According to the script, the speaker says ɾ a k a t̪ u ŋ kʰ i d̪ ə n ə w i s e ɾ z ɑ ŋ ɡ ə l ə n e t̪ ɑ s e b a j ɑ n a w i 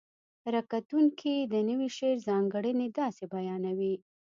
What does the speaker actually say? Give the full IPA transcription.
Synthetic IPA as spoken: ɾ a k a t̪ u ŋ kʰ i d̪ ə n ə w i ʃ e ɾ z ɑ ŋ ɡ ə ɽ ə n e d̪ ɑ s e b a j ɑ n a w i